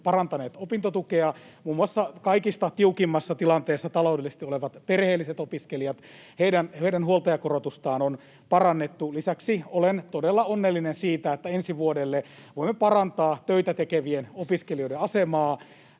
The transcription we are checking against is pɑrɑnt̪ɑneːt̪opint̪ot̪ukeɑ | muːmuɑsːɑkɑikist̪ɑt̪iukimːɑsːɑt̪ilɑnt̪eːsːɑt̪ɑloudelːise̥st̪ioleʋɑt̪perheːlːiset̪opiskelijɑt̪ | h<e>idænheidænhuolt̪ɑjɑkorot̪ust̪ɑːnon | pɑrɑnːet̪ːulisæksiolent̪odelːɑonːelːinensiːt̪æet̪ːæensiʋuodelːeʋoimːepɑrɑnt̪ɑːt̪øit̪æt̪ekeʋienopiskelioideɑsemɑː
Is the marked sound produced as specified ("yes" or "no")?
yes